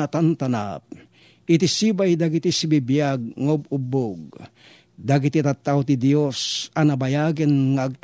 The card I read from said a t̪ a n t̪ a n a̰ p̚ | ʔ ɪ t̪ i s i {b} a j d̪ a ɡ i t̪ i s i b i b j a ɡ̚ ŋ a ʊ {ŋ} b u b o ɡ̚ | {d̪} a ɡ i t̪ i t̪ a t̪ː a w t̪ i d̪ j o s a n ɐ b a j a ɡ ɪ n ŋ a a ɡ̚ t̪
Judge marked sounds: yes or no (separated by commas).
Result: yes, no, yes